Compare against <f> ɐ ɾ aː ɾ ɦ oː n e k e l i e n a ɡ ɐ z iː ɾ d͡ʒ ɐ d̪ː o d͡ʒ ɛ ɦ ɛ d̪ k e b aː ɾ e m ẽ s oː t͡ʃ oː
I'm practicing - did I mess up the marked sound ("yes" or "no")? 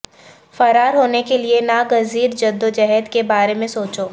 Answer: no